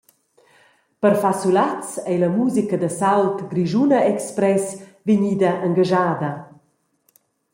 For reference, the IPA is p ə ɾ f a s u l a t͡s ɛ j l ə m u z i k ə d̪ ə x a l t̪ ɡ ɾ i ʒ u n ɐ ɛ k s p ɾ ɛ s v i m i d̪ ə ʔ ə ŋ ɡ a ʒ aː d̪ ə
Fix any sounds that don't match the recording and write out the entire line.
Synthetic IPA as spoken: p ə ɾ f a s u l a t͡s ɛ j l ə m u z i k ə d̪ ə s a l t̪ ɡ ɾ i ʒ u n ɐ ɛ k s p ɾ ɛ s v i ɲ i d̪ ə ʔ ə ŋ ɡ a ʒ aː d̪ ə